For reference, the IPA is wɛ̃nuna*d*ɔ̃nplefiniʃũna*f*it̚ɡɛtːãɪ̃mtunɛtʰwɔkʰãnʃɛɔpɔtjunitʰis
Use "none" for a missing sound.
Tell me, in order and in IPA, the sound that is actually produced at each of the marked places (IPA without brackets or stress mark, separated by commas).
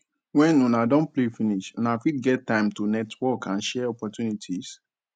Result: d, f